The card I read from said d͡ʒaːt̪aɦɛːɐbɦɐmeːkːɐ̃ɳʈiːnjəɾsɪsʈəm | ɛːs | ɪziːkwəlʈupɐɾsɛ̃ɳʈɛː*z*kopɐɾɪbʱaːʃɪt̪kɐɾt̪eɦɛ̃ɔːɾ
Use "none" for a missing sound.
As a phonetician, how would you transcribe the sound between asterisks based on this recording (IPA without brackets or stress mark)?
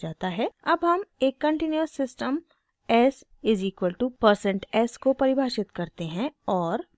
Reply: s